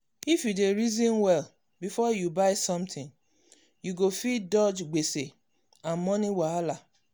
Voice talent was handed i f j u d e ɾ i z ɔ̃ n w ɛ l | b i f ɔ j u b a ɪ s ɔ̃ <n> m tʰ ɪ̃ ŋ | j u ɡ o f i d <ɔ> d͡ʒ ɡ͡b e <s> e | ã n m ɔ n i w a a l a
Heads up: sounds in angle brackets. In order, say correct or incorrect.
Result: incorrect: none, correct, correct

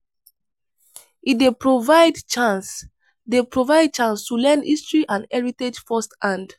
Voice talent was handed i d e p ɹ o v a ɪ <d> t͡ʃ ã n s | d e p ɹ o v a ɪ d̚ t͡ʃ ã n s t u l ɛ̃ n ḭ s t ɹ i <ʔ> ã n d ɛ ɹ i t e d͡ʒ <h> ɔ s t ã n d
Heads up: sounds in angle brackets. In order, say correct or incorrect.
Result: correct, correct, incorrect: f

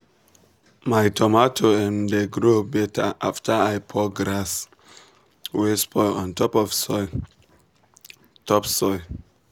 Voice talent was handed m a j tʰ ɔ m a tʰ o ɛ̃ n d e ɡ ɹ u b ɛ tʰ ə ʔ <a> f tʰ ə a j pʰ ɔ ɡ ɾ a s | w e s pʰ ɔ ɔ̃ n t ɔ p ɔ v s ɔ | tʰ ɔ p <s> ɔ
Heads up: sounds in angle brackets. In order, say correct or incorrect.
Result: correct, correct

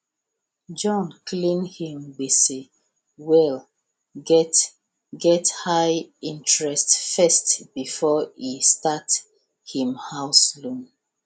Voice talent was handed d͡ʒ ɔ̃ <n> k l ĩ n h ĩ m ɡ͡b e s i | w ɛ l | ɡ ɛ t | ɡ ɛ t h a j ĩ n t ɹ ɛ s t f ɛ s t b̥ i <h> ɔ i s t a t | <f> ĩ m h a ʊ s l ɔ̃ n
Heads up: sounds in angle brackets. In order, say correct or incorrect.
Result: correct, incorrect: f, incorrect: h

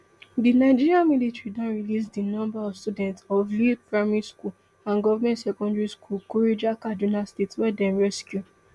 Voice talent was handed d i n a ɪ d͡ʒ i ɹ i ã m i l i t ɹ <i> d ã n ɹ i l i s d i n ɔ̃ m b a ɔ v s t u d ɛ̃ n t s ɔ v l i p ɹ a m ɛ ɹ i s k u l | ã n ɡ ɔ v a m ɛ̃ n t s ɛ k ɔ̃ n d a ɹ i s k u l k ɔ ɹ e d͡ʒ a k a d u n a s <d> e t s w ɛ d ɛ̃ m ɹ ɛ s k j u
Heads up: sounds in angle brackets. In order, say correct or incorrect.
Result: correct, incorrect: t

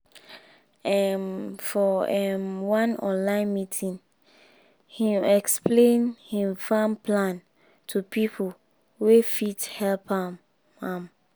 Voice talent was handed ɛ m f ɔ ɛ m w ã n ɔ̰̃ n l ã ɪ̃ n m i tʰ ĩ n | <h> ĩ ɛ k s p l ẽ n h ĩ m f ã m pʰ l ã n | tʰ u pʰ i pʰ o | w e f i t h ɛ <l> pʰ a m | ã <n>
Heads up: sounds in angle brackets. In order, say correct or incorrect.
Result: correct, correct, incorrect: m

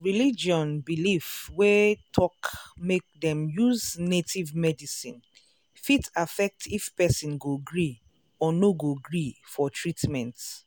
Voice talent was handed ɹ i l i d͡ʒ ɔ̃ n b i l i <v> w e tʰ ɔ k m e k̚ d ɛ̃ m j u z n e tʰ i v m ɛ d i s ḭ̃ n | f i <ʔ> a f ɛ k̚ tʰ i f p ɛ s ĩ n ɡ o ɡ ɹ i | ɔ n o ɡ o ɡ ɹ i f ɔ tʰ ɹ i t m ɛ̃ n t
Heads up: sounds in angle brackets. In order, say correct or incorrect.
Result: incorrect: f, incorrect: t

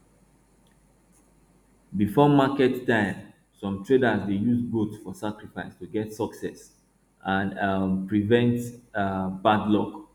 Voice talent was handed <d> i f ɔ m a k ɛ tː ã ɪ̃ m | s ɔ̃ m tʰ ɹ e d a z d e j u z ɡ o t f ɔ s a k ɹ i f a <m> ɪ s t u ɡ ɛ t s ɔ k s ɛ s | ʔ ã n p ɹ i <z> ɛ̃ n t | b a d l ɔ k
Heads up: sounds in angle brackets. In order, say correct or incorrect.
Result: incorrect: b, incorrect: none, incorrect: v

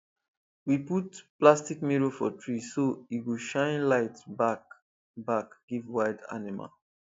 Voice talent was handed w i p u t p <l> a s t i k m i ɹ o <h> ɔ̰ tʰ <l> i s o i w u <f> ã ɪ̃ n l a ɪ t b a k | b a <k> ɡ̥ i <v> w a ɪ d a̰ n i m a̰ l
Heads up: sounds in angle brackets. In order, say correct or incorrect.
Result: correct, incorrect: f, incorrect: ɹ, incorrect: ʃ, correct, correct

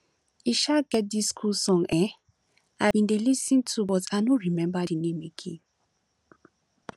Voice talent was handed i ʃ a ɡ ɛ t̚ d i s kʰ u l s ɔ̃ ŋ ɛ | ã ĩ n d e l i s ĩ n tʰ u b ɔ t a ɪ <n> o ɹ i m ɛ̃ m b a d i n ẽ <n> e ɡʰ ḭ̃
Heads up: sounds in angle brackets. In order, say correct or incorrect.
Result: correct, incorrect: m

